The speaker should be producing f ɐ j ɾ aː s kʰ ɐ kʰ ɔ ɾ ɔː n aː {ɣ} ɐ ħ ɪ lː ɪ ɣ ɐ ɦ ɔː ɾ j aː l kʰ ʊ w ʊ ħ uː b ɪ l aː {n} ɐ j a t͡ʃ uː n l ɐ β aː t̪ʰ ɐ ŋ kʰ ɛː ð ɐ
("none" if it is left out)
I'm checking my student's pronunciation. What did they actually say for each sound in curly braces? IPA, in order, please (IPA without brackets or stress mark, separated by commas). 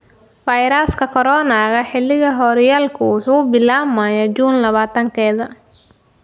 ɣ, m